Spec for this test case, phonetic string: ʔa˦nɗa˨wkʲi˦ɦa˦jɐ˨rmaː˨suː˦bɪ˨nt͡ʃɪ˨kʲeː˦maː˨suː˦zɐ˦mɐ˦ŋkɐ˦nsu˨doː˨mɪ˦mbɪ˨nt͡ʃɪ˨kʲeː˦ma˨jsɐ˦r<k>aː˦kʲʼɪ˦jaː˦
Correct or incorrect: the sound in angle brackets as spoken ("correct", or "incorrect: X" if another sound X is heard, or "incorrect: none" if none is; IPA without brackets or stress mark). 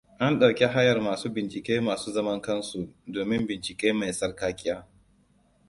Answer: correct